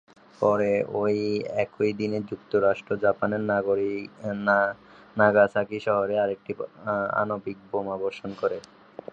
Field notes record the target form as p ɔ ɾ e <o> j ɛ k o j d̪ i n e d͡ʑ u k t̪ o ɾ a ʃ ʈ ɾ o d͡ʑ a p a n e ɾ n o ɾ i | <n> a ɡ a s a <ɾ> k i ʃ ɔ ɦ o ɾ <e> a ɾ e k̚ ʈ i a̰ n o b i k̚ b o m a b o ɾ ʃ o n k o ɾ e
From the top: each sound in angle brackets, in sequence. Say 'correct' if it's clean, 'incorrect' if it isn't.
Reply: correct, correct, incorrect: none, correct

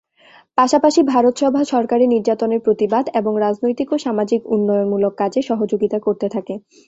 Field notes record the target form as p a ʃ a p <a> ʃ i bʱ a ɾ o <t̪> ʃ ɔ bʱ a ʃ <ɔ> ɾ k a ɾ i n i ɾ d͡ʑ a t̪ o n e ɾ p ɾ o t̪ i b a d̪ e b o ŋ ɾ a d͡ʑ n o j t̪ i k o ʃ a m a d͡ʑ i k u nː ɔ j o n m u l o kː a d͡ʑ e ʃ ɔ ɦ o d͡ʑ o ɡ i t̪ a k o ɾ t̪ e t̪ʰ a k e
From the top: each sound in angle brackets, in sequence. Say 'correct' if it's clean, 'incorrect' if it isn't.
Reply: correct, correct, correct

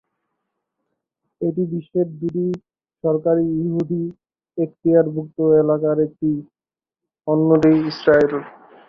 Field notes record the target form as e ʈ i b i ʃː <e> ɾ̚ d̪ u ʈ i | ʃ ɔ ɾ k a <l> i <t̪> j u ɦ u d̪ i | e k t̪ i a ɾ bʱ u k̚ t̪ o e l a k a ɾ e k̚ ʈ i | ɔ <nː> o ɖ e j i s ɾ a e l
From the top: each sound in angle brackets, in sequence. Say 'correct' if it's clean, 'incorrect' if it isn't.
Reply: correct, incorrect: ɾ, incorrect: none, correct

